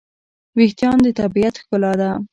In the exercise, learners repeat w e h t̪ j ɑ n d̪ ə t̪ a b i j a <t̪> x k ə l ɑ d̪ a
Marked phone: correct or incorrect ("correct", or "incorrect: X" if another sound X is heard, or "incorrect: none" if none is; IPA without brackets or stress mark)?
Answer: correct